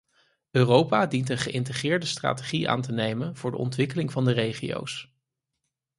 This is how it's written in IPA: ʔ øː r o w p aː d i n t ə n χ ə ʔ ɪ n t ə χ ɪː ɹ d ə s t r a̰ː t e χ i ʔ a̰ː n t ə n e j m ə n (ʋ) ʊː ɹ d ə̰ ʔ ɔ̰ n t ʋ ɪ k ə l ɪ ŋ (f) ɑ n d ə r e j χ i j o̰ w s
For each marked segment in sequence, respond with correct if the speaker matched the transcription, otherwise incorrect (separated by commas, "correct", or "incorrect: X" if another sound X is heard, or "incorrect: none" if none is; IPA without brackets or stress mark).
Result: incorrect: v, incorrect: v